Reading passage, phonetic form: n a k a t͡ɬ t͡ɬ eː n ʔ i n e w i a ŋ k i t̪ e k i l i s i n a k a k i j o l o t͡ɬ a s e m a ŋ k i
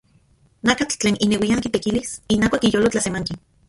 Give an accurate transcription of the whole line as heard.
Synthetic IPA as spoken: n a k a t͡ɬ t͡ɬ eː n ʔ i n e w i a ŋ k i t̪ e k i l i s i n a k a k i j o l o t͡ɬ a s e m a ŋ k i